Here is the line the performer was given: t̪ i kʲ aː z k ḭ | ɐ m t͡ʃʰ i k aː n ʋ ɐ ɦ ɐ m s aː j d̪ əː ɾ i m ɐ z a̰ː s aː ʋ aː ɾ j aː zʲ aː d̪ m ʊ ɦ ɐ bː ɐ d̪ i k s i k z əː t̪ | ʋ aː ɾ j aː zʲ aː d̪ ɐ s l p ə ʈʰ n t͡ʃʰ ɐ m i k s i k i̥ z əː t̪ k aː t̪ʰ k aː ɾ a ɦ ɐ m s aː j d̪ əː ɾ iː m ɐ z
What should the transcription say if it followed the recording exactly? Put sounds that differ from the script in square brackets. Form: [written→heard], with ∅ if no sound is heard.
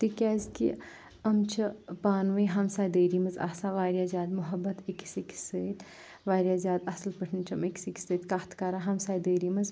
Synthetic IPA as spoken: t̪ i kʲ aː z k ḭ | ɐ m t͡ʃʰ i [k→p] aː n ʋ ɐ ɦ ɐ m s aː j d̪ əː ɾ i m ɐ z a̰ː s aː ʋ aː ɾ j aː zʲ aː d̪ m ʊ ɦ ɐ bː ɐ [d̪→t̪] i k s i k [z→s] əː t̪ | ʋ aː ɾ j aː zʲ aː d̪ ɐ s l p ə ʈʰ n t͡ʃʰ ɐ m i k s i k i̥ [z→s] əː t̪ k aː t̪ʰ k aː ɾ a ɦ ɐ m s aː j d̪ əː ɾ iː m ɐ z

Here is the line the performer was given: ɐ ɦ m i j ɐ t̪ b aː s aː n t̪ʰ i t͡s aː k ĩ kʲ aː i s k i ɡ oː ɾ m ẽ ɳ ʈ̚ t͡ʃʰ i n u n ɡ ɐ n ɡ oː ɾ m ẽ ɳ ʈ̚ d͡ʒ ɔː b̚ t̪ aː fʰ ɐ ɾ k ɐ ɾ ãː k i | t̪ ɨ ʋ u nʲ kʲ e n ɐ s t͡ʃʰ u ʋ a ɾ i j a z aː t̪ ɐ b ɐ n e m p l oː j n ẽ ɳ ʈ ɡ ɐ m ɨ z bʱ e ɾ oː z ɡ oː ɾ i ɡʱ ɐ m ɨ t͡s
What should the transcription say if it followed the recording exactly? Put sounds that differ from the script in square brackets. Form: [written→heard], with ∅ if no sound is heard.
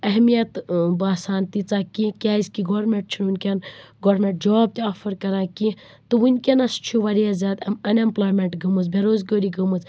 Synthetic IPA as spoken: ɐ ɦ m i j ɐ t̪ b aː s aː n [t̪ʰ→t̪] i t͡s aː k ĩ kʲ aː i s k i ɡ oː ɾ m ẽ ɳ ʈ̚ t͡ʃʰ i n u n [ɡ→k] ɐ n ɡ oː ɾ m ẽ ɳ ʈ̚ d͡ʒ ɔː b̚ t̪ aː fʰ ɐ ɾ k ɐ ɾ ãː k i | t̪ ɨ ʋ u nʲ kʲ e n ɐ s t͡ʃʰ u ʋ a ɾ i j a z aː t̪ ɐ [b→m] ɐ n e m p l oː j [n→m] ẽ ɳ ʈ ɡ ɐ m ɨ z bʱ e ɾ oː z ɡ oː ɾ i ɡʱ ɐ m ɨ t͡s

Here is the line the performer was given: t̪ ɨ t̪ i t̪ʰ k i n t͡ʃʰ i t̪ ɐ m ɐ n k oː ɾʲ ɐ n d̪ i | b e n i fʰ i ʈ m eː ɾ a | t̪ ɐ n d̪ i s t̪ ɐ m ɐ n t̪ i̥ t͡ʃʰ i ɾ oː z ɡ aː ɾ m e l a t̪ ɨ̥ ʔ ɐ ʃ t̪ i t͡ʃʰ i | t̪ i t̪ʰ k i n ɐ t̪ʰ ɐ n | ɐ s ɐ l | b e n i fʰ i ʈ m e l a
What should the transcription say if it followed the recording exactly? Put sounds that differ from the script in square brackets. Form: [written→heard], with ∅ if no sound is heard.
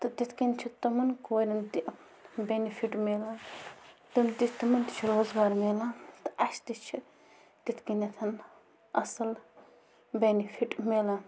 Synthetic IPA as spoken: t̪ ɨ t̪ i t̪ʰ k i n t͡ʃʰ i t̪ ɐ m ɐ n k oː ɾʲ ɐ n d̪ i | b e n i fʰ i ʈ m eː [ɾ→l] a | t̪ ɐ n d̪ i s t̪ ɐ m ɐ n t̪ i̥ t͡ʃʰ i ɾ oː z ɡ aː ɾ m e l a t̪ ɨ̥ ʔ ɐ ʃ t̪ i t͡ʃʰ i | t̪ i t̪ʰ k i n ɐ t̪ʰ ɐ n | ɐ s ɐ l | b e n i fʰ i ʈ m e l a

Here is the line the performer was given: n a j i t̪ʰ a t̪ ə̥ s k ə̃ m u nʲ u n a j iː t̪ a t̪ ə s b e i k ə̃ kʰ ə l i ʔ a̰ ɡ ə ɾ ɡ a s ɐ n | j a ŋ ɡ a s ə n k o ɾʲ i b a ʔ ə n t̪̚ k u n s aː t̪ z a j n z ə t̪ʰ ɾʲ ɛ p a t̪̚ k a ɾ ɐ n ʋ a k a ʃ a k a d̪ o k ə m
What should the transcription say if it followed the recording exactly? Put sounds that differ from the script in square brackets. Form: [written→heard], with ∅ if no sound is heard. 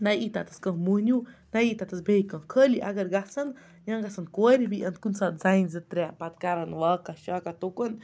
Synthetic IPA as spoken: n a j i [t̪ʰ→t̪] a t̪ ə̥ s k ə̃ m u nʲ u n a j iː t̪ a t̪ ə s b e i k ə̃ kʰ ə l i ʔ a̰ ɡ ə ɾ ɡ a s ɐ n | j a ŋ ɡ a s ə n k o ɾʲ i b [a→i] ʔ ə n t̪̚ k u n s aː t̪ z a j n z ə [t̪ʰ→t̪] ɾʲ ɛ p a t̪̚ k a ɾ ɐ n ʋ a k a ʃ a k a [d̪→t̪] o k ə [m→n]

